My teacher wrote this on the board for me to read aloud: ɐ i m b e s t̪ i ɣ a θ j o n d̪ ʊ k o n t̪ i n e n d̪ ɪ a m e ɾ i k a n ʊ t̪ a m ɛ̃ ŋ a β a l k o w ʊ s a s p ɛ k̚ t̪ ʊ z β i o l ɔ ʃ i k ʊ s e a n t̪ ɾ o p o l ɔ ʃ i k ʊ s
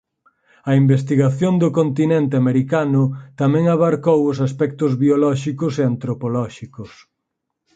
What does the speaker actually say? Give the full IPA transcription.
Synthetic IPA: ɐ i m b e s t̪ i ɣ a θ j o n d̪ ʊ k o n t̪ i n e n t̪ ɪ a m e ɾ i k a n ʊ t̪ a m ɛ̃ ŋ a β a ɾ k o w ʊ s a s p ɛ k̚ t̪ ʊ z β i o l ɔ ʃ i k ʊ s e a n t̪ ɾ o p o l ɔ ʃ i k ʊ s